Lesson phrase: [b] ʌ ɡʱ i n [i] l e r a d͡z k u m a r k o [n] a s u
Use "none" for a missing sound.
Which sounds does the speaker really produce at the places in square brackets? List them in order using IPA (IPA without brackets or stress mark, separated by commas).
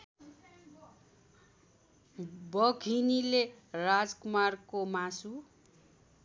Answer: b, i, m